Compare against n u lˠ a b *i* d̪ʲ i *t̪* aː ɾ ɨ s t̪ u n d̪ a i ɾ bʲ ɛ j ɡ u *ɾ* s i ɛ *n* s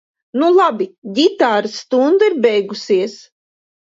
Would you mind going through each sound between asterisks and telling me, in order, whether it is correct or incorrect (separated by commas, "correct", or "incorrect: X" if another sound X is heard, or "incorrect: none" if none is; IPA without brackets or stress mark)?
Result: correct, correct, incorrect: none, incorrect: none